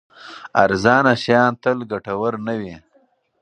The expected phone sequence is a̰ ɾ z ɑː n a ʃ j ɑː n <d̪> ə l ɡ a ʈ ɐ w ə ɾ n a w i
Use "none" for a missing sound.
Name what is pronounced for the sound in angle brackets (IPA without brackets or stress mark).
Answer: t̪